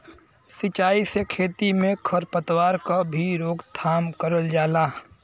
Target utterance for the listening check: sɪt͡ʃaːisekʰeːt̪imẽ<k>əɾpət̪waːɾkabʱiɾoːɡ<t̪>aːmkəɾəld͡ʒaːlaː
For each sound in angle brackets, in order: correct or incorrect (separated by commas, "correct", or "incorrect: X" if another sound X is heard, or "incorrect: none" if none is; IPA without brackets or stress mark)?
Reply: incorrect: kʰ, incorrect: t̪ʰ